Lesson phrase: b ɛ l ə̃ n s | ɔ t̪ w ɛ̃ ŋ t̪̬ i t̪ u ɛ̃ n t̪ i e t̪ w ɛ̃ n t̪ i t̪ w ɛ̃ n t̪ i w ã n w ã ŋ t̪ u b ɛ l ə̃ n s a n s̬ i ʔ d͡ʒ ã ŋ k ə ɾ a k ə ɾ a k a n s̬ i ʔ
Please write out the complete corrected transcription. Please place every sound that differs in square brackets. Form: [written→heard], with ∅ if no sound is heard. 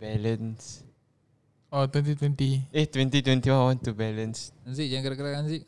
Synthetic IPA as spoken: b ɛ l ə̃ n s | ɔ t̪ w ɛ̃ [ŋ→n] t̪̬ i t̪ [u→w] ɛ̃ n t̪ i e t̪ w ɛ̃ n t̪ i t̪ w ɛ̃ n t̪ i w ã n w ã [ŋ→n] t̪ u b ɛ l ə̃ n s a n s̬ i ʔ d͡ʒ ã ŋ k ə ɾ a k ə ɾ a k a n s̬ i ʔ